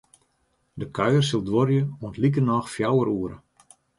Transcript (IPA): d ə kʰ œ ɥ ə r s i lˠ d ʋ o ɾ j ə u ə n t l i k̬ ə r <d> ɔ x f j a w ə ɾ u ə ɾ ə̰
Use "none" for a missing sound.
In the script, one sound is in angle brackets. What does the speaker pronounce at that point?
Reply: n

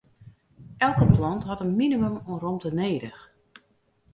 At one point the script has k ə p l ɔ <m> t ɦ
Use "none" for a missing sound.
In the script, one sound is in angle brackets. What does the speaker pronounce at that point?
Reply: n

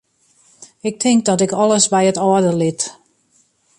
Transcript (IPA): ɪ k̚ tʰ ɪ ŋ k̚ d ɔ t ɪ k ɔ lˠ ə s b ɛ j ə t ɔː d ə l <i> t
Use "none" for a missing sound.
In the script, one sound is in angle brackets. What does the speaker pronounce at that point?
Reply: ɪ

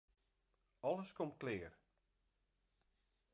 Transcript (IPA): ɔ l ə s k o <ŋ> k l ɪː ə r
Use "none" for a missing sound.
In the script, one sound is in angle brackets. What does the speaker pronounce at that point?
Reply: m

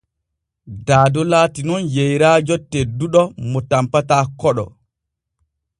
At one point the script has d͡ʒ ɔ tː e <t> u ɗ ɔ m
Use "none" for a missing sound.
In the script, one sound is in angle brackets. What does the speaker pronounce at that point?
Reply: d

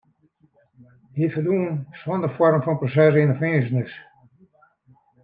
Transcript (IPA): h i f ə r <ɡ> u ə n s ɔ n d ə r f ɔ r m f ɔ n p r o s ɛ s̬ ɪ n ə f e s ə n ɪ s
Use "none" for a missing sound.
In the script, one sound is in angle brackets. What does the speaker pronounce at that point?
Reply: d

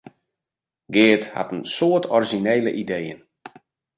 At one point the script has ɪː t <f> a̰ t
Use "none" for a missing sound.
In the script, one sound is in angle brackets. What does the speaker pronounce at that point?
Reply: h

